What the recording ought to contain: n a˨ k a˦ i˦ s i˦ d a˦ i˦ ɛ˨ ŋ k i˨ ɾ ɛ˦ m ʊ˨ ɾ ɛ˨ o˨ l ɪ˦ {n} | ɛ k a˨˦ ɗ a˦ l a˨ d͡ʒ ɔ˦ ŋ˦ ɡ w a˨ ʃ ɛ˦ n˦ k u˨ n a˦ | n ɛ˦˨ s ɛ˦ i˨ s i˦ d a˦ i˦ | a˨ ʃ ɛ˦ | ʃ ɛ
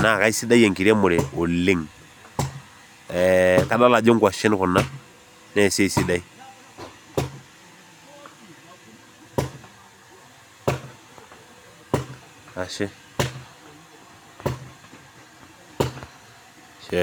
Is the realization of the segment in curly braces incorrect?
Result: yes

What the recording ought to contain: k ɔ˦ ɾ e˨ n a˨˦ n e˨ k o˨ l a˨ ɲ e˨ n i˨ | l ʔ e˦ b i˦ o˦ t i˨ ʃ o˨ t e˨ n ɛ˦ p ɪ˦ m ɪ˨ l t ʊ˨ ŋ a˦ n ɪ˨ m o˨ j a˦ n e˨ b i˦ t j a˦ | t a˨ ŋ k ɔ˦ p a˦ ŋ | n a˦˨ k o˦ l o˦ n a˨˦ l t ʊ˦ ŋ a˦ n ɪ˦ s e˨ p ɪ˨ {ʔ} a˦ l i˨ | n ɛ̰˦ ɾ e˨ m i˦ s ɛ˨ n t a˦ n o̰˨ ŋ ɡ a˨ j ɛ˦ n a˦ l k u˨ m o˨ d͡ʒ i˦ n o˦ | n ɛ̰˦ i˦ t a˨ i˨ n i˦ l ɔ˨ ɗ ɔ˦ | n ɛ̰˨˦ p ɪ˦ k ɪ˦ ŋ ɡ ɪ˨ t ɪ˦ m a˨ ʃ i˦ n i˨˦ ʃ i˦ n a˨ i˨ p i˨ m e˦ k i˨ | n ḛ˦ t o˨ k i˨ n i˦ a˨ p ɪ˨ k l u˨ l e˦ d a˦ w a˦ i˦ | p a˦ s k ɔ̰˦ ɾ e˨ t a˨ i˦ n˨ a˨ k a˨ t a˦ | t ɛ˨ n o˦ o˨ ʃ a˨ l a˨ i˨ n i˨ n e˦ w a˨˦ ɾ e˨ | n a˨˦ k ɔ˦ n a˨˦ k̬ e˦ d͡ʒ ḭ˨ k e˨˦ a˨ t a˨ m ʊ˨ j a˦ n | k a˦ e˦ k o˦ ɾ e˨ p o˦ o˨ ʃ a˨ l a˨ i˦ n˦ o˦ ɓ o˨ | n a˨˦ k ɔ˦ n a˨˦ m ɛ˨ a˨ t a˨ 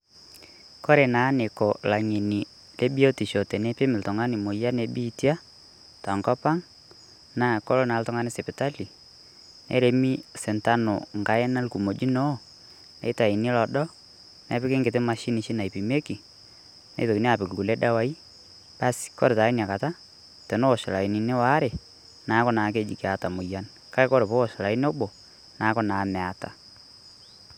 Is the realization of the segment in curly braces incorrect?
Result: yes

